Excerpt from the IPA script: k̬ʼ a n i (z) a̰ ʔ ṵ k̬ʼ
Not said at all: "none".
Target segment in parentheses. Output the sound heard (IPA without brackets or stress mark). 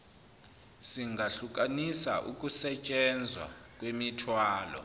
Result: s